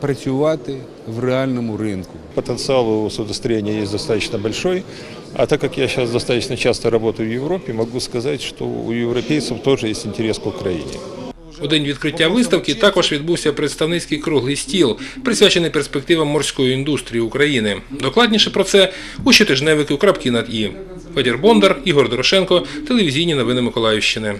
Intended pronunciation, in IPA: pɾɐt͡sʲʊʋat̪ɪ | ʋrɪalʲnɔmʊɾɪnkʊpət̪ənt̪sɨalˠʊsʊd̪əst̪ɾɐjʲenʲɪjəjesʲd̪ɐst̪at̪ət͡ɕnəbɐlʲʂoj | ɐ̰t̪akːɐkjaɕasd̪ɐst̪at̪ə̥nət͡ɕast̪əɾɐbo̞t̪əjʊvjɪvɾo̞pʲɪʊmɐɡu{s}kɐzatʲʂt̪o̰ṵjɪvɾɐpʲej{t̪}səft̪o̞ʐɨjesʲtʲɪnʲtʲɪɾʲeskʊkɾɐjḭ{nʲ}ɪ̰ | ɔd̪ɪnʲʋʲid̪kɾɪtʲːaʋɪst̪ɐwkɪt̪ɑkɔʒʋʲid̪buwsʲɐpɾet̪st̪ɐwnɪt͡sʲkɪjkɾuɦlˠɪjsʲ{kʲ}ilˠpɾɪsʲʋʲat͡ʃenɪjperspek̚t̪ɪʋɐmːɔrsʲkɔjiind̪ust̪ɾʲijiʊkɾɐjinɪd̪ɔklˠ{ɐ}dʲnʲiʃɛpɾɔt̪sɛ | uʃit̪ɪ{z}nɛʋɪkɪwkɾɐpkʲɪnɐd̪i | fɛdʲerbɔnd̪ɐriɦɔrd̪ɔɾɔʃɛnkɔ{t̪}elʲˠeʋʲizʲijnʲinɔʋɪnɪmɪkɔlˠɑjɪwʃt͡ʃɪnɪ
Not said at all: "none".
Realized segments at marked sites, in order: s, t̪, nʲ, tʲ, ɑ, ʒ, t̪

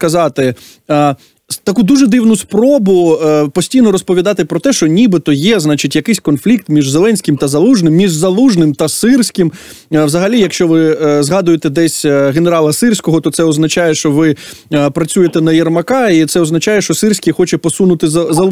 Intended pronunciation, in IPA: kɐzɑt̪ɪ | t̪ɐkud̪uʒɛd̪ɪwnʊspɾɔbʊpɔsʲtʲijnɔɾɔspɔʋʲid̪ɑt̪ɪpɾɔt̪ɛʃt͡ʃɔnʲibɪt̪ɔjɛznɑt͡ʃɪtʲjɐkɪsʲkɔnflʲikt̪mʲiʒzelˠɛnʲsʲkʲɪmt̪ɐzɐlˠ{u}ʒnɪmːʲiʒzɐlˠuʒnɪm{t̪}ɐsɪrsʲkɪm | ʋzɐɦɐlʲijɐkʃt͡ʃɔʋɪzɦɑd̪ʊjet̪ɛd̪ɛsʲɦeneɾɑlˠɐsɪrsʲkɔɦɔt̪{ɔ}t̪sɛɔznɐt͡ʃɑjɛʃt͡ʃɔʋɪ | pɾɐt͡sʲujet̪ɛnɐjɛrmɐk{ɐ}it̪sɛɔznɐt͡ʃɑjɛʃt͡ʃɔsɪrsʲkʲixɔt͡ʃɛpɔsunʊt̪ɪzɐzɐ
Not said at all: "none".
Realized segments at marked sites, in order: u, t̪, ɔ, ɑ

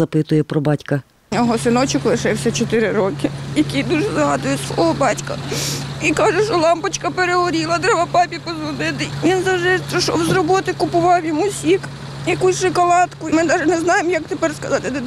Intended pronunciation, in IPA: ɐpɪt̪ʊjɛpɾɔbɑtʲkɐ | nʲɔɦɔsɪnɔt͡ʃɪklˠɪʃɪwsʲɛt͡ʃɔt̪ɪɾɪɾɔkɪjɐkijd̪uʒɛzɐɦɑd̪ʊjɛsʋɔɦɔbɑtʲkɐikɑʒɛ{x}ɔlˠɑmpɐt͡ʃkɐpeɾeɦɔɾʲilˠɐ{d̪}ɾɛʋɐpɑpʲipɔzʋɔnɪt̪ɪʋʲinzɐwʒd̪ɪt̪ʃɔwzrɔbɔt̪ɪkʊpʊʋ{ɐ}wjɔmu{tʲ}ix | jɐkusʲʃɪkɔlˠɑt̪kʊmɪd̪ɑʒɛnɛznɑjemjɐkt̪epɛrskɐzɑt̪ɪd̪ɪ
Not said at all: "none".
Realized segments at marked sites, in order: ʃ, d̪, ɑ, sʲ

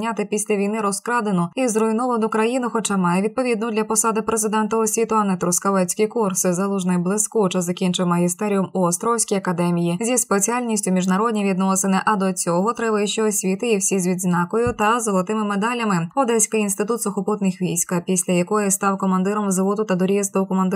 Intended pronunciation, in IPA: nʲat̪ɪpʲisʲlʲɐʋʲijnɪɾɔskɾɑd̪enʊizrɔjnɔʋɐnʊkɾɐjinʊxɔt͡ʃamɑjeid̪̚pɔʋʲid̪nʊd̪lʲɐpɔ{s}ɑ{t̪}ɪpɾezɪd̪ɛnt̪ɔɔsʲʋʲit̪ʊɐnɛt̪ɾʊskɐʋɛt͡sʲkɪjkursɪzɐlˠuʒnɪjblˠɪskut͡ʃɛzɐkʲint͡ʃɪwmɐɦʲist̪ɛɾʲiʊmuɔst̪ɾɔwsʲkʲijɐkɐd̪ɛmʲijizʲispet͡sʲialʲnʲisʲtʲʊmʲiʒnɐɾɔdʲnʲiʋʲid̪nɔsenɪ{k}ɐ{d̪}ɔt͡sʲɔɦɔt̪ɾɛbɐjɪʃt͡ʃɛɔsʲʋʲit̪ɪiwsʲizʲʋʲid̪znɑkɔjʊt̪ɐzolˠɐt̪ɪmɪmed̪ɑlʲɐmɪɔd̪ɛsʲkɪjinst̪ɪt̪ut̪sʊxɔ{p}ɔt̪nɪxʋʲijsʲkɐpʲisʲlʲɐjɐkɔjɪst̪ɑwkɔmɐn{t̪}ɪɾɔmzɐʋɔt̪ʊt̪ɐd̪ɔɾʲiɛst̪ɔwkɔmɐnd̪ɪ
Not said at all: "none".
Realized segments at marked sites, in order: s, d̪, ʔ, d̪, p, d̪

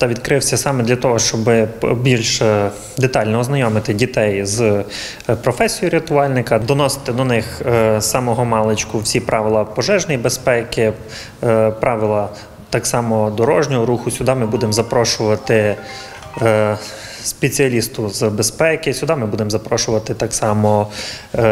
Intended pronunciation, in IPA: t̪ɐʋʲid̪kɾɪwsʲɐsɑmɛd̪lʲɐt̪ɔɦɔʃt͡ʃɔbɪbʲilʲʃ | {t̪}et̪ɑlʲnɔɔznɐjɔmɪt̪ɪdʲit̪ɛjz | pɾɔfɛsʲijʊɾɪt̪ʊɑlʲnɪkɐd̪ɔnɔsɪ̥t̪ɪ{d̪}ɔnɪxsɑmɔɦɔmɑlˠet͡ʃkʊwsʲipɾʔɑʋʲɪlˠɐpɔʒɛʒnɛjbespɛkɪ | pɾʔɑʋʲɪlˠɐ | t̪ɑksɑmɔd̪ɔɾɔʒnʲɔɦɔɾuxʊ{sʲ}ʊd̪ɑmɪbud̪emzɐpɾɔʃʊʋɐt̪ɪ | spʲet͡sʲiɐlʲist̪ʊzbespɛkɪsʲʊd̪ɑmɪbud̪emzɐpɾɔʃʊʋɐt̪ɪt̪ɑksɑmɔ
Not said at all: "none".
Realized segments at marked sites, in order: d̪, d̪, sʲ

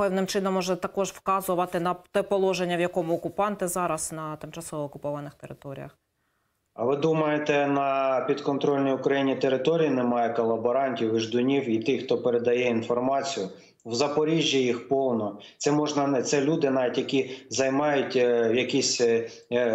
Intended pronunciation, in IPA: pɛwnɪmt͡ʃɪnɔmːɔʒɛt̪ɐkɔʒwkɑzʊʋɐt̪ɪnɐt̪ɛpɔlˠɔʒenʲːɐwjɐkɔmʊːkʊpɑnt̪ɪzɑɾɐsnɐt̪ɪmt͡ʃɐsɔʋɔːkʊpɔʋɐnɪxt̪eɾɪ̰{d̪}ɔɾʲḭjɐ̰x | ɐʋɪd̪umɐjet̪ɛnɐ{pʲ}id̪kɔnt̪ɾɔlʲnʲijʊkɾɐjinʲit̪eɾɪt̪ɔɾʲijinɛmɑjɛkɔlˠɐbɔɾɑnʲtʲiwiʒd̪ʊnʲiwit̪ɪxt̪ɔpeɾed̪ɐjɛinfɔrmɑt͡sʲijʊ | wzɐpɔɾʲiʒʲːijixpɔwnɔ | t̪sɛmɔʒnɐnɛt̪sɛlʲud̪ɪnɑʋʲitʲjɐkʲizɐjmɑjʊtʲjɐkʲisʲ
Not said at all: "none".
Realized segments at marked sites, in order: t̪, pʲ

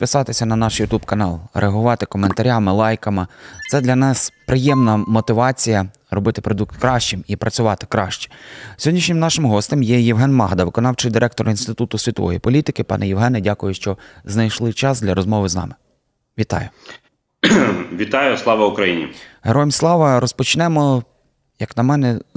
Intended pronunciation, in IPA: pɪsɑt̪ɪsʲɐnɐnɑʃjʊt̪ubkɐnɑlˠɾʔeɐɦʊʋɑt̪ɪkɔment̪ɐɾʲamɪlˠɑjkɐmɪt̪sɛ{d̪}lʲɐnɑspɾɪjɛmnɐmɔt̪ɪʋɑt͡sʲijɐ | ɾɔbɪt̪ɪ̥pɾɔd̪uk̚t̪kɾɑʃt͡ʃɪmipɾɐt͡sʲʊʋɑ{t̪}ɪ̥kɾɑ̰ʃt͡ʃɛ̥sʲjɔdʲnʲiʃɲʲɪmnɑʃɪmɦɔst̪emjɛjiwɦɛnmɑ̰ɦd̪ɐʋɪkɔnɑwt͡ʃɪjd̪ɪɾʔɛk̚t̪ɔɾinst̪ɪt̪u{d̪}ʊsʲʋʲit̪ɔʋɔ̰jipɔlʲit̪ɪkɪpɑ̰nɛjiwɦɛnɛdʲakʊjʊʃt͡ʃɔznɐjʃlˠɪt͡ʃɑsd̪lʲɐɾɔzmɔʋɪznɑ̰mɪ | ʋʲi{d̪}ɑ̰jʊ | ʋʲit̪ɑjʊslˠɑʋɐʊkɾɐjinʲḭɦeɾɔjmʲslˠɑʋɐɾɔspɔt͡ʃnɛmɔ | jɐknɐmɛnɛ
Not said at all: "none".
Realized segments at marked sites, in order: d̪, t̪, t̪, t̪

